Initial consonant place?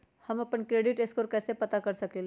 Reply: glottal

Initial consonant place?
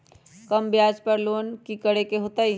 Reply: velar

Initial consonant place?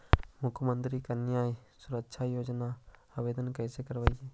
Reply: labial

